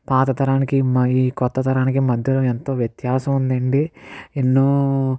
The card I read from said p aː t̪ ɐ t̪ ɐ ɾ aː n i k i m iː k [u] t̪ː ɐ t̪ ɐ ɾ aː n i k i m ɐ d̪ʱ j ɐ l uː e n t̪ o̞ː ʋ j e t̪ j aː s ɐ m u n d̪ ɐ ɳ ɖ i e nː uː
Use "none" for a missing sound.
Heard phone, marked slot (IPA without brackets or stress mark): ɔ